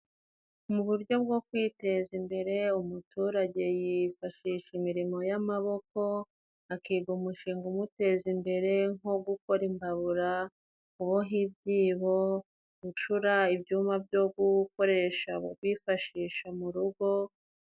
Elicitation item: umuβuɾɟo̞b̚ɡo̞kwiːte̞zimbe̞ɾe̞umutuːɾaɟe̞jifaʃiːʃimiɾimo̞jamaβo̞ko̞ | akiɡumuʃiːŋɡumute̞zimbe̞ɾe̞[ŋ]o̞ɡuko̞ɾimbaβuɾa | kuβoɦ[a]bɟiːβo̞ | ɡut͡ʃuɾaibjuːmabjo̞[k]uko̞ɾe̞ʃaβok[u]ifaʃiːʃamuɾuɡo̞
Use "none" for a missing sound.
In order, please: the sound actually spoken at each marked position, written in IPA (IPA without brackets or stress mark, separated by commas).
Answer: ŋ, i, ɡ, w